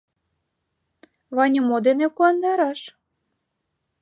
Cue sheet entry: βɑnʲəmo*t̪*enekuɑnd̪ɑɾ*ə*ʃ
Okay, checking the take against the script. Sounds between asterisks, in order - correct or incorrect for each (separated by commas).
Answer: incorrect, incorrect